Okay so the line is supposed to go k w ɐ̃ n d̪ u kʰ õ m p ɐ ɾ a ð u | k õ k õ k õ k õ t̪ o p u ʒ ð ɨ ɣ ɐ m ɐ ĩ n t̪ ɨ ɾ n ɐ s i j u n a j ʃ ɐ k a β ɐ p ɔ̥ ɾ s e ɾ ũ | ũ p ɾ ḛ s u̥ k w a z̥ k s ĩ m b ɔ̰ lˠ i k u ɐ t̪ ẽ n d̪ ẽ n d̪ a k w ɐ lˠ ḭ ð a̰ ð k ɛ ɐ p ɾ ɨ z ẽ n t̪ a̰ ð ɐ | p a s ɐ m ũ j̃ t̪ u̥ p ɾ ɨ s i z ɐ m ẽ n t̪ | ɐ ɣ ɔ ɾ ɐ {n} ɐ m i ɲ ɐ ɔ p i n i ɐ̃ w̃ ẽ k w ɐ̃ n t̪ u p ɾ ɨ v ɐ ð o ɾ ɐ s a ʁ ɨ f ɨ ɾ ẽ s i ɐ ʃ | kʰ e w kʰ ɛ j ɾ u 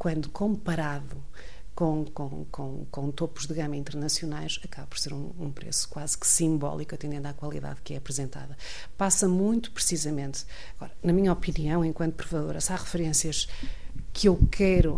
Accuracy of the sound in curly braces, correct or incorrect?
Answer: correct